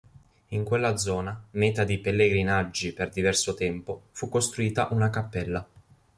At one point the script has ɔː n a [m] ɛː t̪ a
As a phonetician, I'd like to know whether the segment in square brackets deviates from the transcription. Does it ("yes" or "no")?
no